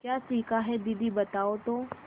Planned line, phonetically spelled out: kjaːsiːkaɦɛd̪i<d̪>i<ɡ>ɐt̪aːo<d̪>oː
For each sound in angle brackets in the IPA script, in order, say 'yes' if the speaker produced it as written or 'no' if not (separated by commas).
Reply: yes, no, no